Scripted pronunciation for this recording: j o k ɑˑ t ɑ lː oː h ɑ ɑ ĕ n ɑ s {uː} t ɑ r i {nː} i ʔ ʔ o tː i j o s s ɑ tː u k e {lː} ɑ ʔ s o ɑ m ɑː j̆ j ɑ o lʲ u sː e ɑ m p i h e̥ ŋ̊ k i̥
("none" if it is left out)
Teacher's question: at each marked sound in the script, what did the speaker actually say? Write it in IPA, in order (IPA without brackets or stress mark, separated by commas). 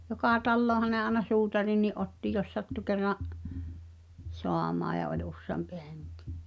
uː, nː, rː